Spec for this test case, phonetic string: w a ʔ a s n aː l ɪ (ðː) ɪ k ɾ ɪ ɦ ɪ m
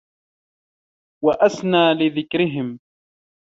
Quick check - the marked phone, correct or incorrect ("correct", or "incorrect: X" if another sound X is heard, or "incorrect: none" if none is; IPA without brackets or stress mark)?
incorrect: ð